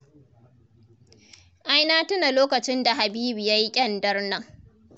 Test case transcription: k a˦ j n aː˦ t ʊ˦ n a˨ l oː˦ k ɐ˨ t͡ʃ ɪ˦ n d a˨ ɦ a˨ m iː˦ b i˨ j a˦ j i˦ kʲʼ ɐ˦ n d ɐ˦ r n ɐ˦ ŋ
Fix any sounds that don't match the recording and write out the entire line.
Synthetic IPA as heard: ʔ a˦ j n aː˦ t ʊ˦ n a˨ l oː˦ k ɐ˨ t͡ʃ ɪ˦ n d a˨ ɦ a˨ b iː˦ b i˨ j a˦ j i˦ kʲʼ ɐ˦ n d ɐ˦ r n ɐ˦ ŋ